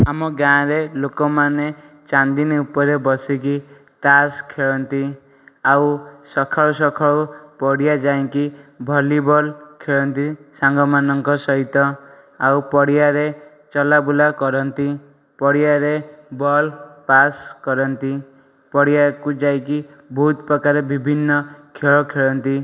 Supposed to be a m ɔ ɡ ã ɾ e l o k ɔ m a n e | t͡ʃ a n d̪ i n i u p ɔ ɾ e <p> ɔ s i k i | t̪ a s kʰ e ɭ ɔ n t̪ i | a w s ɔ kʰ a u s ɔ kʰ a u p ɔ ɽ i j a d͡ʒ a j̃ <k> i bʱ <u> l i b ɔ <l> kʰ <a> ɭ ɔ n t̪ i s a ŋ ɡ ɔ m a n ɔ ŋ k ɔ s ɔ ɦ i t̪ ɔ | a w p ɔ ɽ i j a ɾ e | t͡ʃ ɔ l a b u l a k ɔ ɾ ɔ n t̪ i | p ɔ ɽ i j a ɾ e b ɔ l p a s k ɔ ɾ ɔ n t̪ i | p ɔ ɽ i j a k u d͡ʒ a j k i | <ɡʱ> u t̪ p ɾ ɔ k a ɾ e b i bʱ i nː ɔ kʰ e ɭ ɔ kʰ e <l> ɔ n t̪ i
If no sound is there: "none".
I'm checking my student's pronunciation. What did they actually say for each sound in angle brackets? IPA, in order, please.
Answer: b, k, ɔ, l, e, bʱ, ɭ

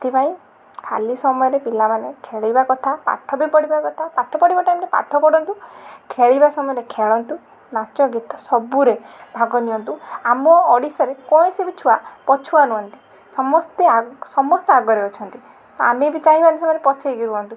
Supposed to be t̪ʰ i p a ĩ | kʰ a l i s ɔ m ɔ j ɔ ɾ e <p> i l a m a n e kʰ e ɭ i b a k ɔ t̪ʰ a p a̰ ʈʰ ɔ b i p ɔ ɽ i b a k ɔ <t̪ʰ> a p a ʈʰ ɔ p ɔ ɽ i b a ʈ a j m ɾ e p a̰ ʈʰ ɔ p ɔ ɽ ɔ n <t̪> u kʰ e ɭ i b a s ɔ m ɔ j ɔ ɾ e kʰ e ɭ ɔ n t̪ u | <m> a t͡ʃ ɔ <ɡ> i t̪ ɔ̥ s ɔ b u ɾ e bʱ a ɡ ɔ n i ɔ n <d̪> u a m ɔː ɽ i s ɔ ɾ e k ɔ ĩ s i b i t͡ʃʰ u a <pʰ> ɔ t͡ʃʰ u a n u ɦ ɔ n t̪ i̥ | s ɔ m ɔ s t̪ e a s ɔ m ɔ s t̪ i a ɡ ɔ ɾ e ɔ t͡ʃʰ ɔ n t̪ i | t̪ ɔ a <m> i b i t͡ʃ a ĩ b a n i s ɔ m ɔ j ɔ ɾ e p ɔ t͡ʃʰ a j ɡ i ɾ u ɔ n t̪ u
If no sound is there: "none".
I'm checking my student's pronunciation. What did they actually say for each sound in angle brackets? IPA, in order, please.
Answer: p, t̪ʰ, t̪, n, ɡ, t̪, p, m

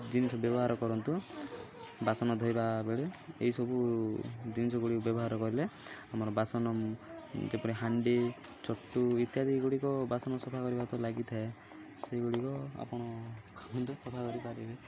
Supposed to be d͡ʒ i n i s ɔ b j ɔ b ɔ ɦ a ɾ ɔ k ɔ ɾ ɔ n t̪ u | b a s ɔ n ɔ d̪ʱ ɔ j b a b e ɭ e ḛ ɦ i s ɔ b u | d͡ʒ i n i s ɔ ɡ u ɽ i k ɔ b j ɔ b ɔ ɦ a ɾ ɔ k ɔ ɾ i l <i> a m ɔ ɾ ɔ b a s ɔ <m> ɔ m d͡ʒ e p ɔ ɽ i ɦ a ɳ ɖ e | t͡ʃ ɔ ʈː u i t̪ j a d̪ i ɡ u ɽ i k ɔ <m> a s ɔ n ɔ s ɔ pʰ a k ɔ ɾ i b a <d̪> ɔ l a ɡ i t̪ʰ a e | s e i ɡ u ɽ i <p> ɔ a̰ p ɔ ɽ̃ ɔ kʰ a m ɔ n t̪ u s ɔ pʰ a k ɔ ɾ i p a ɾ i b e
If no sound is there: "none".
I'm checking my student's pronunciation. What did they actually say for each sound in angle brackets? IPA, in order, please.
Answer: e, n, b, t̪, k

